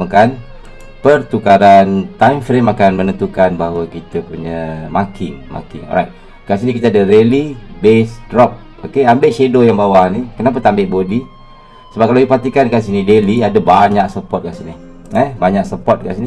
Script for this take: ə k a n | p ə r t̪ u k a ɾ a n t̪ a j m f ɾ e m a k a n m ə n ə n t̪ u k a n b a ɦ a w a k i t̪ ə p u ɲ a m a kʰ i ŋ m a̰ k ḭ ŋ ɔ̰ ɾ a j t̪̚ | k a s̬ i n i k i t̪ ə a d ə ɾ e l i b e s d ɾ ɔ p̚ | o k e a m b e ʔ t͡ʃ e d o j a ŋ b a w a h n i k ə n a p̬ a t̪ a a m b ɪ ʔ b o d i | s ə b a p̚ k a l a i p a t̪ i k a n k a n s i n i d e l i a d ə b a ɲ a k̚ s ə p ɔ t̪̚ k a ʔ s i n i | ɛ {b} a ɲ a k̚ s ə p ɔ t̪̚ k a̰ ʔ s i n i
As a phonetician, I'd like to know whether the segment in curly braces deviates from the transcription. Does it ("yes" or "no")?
no